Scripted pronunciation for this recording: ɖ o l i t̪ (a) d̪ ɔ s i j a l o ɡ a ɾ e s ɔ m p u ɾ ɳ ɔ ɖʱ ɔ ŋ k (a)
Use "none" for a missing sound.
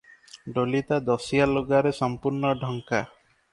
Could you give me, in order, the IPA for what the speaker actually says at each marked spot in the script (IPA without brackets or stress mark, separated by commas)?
a, a